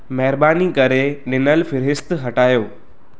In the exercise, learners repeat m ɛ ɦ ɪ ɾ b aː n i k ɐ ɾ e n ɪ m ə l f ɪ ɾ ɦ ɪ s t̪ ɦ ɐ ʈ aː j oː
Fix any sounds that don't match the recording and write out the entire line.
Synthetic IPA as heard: m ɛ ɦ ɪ ɾ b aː n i k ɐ ɾ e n ɪ n ə l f ɪ ɾ ɦ ɪ s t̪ ɦ ɐ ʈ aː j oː